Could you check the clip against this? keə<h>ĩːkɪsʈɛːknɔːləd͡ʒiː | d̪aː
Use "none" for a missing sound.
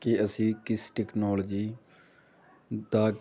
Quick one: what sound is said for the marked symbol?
s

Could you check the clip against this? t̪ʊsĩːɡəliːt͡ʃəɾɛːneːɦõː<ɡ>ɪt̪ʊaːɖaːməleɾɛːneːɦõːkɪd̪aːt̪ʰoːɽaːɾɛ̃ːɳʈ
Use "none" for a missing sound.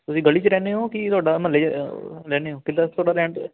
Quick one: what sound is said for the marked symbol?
k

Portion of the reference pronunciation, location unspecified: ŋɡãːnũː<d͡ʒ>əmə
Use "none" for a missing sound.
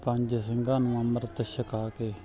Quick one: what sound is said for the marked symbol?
none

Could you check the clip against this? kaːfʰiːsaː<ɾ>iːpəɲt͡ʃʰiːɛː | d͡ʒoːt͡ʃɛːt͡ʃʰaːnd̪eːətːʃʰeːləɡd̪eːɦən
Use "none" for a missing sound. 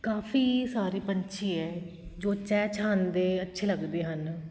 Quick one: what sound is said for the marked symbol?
ɾ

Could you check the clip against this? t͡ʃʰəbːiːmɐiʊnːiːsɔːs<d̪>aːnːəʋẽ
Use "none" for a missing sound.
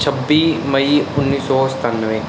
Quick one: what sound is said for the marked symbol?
t̪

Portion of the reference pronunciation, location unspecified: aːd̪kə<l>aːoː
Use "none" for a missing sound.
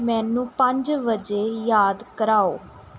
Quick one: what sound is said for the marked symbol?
ɾ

